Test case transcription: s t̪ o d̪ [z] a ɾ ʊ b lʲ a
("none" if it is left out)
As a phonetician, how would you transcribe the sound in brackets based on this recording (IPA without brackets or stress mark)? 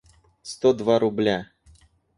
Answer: v